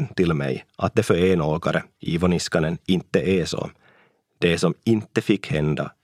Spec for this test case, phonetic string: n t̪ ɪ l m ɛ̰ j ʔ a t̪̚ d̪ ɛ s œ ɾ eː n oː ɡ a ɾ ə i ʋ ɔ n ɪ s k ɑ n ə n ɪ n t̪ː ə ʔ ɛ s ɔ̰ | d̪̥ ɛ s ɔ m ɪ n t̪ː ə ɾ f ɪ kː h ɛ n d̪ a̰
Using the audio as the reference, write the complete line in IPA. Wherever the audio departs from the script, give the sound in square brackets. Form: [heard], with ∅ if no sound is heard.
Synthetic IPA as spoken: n t̪ ɪ l m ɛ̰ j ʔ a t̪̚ d̪ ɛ [f] œ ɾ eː n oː ɡ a ɾ ə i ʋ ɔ n ɪ s k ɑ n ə n ɪ n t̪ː ə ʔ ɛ s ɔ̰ | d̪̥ ɛ s ɔ m ɪ n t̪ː ə [∅] f ɪ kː h ɛ n d̪ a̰